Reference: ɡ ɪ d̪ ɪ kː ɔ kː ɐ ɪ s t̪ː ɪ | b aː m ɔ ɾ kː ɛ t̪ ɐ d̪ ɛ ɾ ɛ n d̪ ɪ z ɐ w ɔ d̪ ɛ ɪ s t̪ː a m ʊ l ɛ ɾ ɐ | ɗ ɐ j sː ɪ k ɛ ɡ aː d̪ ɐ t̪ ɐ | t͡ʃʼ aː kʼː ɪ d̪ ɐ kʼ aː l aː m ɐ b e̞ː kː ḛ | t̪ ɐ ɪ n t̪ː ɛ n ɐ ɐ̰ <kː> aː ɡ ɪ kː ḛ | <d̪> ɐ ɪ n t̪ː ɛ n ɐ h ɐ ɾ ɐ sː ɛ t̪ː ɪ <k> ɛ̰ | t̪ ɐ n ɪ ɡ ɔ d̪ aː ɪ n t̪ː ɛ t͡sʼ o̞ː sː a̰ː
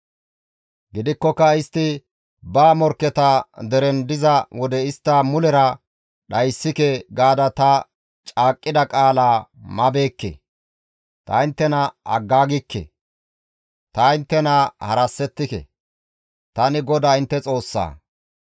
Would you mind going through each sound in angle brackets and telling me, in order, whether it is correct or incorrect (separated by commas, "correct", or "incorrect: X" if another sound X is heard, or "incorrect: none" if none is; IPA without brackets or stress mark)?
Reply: incorrect: ɡː, incorrect: t̪, correct